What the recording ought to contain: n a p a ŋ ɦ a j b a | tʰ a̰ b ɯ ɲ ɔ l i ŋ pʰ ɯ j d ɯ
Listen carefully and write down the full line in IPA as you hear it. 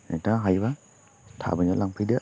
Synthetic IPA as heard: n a t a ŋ ɦ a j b a | tʰ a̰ b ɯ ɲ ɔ l a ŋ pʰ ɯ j d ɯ